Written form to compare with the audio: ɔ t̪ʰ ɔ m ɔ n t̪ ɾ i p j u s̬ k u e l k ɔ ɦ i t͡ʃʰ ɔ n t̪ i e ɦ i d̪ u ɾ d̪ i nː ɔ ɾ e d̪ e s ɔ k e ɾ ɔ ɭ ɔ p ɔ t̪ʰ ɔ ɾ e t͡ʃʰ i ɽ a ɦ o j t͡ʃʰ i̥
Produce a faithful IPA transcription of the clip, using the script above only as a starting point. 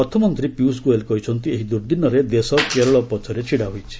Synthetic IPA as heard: ɔ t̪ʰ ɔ m ɔ n t̪ ɾ i p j u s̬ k u e l k ɔ ɦ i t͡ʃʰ ɔ n t̪ i e ɦ i d̪ u ɾ d̪ i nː ɔ ɾ e d̪ e s ɔ k e ɾ ɔ ɭ ɔ p ɔ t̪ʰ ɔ ɾ e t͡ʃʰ i ɽ a ɦ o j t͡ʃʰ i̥